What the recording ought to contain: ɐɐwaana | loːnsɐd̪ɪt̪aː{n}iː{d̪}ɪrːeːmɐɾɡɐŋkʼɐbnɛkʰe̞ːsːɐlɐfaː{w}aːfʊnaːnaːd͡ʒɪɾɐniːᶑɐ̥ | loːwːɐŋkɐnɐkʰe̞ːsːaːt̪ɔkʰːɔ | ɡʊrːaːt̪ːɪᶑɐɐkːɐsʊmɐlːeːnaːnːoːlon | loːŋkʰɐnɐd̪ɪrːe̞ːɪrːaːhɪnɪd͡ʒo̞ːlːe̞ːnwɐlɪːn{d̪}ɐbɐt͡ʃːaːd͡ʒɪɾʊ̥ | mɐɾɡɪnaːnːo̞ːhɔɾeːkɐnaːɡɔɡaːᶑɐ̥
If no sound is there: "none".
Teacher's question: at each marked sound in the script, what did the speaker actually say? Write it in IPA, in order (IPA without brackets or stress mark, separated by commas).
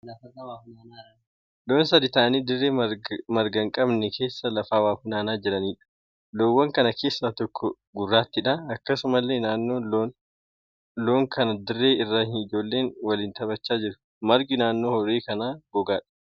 n, d̪, w, t̪